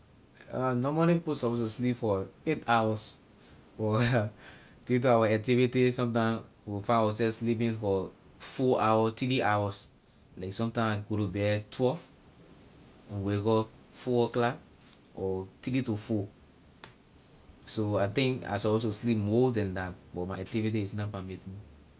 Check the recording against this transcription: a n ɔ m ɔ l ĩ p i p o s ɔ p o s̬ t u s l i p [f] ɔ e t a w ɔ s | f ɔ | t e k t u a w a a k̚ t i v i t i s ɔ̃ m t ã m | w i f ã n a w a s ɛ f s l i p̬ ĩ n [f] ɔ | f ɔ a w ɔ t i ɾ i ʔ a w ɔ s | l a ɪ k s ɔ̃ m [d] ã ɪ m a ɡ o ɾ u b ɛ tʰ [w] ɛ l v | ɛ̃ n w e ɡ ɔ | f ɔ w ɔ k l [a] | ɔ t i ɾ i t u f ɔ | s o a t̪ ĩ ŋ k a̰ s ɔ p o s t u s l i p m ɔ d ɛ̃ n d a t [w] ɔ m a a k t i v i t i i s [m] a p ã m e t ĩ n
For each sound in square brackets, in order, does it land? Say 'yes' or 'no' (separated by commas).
yes, yes, no, yes, yes, no, no